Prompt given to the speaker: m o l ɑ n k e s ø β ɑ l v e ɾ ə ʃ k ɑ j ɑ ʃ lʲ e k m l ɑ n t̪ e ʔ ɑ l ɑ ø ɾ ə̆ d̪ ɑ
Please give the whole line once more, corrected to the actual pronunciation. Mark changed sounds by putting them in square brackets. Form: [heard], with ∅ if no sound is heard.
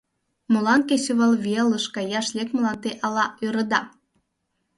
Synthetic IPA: m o l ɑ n k e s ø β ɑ l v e [l] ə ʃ k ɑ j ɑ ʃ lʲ e k m l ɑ n t̪ e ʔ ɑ l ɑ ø ɾ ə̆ d̪ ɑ